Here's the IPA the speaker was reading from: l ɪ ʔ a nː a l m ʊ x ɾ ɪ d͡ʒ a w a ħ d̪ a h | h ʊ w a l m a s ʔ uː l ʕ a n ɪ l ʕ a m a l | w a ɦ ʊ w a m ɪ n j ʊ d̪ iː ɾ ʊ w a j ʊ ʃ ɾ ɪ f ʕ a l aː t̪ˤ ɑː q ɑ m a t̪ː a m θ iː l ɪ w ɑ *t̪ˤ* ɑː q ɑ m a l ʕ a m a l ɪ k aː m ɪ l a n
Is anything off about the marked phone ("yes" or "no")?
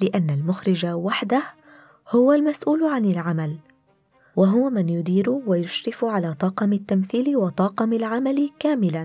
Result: no